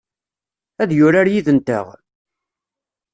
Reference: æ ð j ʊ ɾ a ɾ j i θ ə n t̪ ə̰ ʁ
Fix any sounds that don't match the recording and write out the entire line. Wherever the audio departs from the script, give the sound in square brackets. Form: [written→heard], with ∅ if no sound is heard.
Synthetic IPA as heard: æ ð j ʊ ɾ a ɾ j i [θ→ð] ə n t̪ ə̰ ʁ